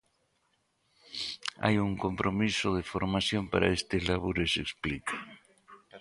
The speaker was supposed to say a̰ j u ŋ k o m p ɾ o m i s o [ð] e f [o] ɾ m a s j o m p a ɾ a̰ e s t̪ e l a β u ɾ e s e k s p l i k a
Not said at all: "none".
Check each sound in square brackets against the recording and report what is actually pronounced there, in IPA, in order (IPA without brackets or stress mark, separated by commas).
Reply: ð, o